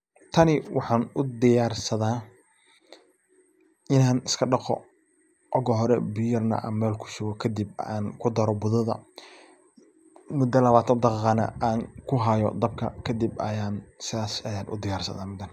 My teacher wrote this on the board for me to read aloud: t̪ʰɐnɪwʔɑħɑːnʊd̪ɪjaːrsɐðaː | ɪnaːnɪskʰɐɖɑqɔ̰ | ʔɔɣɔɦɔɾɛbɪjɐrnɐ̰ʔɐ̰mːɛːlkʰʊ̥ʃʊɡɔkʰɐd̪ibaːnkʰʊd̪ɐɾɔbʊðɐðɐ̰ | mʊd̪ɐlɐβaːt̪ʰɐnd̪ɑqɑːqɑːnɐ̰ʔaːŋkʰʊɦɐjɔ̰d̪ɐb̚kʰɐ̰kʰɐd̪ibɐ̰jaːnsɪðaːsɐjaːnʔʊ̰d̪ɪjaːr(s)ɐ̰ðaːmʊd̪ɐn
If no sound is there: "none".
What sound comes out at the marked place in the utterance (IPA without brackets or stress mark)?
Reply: s